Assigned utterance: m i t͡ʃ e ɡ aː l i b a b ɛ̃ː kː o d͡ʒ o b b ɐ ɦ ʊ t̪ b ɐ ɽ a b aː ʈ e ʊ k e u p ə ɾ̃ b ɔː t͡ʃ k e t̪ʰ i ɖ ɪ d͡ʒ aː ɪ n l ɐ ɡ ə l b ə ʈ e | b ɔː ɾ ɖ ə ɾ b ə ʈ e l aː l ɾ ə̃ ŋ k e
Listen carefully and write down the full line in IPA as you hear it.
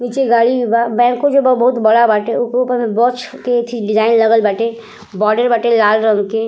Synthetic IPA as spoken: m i t͡ʃ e ɡ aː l i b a b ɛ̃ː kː o d͡ʒ o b b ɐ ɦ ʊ t̪ b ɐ ɽ a b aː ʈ e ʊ k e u p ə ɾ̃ b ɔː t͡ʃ k e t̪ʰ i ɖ ɪ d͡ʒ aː ɪ n l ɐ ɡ ə l b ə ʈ e | b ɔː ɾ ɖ ə ɾ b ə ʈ e l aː l ɾ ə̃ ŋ k e